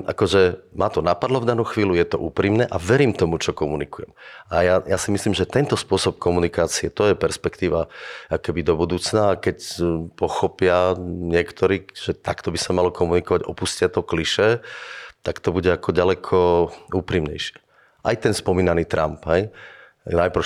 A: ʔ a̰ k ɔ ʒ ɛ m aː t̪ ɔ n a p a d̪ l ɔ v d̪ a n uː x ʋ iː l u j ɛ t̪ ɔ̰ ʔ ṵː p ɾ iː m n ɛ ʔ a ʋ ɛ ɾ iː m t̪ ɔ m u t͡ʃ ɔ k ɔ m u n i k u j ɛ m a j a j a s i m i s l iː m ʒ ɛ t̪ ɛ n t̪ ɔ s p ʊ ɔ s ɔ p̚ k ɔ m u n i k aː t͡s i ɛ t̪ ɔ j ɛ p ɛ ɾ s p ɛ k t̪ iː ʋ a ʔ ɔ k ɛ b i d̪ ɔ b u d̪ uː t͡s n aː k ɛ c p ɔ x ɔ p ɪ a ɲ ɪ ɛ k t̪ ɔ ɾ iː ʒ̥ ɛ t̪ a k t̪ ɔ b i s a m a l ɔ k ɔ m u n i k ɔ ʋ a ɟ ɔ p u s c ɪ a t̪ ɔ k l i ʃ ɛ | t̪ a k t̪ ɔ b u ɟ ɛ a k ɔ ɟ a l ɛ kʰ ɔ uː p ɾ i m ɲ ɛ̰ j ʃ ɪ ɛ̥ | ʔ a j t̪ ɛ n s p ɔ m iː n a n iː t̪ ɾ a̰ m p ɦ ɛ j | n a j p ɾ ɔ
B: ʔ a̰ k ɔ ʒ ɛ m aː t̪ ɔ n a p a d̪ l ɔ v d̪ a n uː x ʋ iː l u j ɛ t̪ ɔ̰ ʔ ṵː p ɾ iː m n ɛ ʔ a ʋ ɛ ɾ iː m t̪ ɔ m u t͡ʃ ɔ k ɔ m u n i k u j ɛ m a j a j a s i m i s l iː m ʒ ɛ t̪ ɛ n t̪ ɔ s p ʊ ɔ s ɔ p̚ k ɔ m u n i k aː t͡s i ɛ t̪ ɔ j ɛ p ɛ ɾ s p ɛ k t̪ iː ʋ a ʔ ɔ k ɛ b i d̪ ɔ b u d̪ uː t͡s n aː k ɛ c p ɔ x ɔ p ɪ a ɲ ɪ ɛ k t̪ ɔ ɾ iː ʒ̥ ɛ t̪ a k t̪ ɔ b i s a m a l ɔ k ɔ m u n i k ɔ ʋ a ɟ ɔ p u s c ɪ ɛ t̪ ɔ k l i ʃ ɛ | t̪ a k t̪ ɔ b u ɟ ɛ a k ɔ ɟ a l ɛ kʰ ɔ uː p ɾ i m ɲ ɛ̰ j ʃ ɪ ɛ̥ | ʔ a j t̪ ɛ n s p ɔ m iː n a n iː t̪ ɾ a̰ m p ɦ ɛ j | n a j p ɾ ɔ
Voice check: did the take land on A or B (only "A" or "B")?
A